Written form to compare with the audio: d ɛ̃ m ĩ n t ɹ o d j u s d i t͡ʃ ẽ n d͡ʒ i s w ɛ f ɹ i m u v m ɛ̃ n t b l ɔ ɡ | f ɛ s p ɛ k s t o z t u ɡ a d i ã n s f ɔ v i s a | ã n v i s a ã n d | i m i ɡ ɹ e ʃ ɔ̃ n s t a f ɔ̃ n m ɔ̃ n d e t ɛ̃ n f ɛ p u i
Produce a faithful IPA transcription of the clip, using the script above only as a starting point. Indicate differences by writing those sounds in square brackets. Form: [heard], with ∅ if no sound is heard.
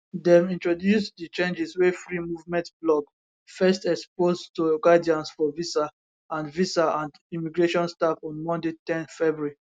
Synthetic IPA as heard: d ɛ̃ m ĩ n t ɹ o d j u s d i t͡ʃ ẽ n d͡ʒ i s w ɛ f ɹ i m u v m ɛ̃ n t b l ɔ ɡ | f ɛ s [t] ɛ k s [p] o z t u ɡ a d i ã n s f ɔ v i s a | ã n v i s a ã n d | i m i ɡ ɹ e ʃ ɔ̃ n s t a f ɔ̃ n m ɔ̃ n d e t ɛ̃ n f ɛ [b] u i